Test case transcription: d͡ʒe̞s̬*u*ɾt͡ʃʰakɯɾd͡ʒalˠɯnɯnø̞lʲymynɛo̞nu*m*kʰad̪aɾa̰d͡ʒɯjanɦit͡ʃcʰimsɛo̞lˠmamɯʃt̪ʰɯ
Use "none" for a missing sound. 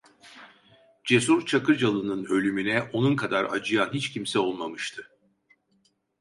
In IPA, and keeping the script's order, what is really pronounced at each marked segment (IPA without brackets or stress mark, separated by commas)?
u, n